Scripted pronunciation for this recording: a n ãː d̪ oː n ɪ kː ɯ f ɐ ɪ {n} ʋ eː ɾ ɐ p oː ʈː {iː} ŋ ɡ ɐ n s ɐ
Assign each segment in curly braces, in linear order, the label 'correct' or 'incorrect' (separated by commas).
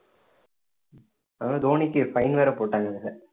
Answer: correct, incorrect